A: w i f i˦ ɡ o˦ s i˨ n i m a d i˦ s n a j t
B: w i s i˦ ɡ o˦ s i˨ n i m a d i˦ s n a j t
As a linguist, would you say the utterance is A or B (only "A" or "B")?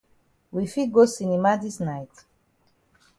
A